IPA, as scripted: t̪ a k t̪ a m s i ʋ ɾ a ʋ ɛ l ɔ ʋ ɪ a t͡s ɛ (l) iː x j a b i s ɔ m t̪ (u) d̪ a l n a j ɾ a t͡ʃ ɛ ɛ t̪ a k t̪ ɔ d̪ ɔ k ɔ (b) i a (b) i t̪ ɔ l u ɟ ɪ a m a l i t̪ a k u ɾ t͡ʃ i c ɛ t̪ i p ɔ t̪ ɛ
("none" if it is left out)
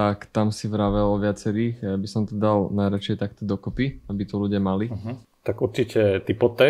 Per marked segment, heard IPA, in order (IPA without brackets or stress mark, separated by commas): ɾ, ɔ, p, b